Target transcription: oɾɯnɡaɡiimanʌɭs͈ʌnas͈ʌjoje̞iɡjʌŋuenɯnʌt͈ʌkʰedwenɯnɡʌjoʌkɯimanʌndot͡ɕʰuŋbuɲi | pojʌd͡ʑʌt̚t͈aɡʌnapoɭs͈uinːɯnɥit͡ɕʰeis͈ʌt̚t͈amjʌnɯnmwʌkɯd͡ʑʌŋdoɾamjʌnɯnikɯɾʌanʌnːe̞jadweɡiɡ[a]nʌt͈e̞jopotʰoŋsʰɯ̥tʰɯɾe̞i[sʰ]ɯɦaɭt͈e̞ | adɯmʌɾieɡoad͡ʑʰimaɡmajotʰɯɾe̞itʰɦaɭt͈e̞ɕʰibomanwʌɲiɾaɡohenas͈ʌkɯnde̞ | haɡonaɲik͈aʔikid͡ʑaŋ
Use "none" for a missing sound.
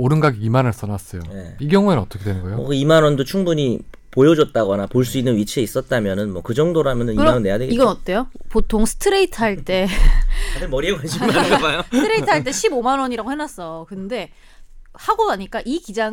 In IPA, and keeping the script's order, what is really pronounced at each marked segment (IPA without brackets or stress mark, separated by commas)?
ʌ, tʰ